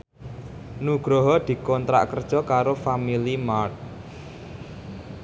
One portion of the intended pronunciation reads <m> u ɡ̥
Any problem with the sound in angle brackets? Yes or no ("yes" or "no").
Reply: yes